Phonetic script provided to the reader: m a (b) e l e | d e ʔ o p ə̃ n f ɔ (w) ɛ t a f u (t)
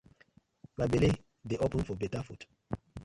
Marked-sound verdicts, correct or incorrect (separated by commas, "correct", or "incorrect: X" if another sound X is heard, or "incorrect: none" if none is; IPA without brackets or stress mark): correct, incorrect: b, correct